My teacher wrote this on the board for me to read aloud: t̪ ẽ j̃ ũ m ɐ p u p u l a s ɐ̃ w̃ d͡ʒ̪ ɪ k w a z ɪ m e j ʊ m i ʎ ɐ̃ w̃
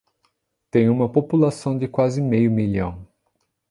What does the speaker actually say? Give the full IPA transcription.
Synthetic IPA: t̪ ẽ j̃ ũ m ɐ p o p u l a s ɐ̃ w̃ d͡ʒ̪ ɪ k w a z ɪ m e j ʊ m i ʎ ɐ̃ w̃